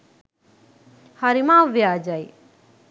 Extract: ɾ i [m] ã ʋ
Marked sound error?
no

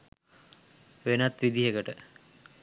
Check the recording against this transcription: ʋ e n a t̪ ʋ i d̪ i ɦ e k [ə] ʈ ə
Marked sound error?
no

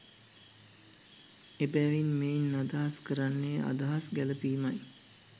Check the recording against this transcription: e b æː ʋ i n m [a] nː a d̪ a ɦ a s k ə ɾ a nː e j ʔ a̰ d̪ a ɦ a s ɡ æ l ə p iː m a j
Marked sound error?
yes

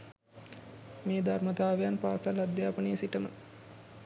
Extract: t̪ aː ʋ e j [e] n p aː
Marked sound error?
yes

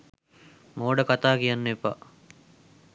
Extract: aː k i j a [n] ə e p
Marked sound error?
yes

